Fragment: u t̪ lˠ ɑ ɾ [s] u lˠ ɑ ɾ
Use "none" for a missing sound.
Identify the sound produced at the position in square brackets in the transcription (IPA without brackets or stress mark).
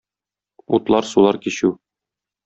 s